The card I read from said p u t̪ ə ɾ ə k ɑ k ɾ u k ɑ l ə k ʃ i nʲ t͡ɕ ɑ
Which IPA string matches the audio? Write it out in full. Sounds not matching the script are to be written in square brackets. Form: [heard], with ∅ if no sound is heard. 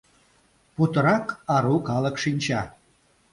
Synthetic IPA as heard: p u t̪ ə ɾ [ɑ] k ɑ [∅] ɾ u k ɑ l ə k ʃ i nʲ t͡ɕ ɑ